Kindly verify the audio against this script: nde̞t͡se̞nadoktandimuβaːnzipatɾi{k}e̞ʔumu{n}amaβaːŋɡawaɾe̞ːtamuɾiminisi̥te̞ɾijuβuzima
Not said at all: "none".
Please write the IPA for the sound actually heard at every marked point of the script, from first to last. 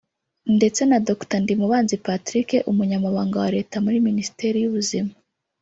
k, ɲ

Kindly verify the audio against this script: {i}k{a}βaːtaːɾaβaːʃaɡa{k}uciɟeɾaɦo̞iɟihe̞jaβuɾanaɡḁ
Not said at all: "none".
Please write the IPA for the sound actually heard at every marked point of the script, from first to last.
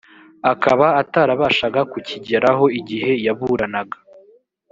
a, a, k

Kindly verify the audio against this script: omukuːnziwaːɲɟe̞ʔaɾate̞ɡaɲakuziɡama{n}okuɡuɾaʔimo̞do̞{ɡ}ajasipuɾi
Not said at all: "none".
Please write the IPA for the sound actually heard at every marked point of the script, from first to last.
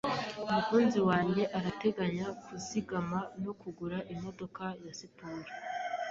n, k

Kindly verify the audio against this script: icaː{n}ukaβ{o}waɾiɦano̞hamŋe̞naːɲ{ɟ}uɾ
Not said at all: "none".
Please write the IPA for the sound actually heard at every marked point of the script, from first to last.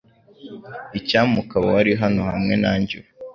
m, o, ɟ

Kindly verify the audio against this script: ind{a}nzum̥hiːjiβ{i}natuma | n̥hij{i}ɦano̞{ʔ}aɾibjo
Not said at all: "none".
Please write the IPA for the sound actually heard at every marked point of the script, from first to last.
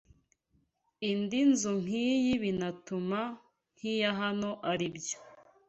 i, i, a, ʔ

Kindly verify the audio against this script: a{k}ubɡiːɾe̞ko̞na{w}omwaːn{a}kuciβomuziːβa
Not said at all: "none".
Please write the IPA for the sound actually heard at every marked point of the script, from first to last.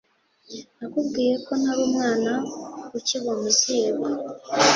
k, β, a

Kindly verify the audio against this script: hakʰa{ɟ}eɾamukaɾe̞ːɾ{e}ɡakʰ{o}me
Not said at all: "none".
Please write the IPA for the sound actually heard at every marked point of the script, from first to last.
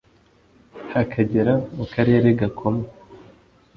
ɟ, e, o

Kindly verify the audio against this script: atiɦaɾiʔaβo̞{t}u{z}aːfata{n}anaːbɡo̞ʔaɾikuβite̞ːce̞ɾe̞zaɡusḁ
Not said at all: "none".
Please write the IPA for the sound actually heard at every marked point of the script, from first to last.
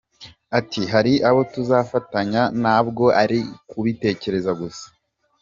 t, z, ɲ

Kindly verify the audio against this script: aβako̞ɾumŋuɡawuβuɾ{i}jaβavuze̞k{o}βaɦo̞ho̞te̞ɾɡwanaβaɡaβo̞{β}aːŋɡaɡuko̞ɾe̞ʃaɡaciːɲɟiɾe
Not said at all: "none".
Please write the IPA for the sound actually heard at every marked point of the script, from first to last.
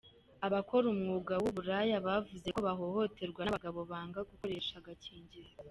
a, o, β

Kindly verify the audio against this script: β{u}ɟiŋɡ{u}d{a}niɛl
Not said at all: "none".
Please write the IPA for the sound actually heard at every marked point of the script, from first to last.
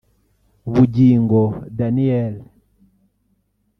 u, ɔ, a

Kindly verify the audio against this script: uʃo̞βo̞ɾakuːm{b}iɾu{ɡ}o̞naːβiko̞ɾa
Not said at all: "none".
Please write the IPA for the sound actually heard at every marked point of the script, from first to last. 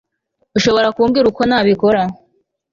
ɡ, k

